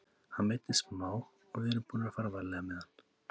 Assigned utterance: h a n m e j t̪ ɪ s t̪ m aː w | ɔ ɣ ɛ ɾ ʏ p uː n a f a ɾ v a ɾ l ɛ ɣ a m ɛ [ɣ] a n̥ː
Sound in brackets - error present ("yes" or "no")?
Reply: yes